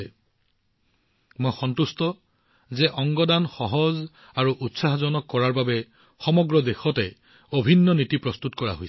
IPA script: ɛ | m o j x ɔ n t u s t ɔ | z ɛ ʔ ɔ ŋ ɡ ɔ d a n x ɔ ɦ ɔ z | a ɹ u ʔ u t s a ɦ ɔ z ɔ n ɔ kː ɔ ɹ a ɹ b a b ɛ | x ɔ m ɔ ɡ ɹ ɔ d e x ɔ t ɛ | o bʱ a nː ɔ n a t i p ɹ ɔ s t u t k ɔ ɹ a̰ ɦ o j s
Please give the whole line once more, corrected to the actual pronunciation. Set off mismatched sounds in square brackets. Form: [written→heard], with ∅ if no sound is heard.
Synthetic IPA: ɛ | m o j x ɔ n t u s t ɔ | z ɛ ʔ ɔ ŋ ɡ ɔ d a n x ɔ ɦ ɔ z | a ɹ u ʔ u t s a ɦ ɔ z ɔ n ɔ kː ɔ ɹ a ɹ b a b ɛ | x ɔ m ɔ ɡ ɹ ɔ d e x ɔ t ɛ | o bʱ [a→i] nː ɔ n [a→i] t i p ɹ ɔ s t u t k ɔ ɹ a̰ ɦ o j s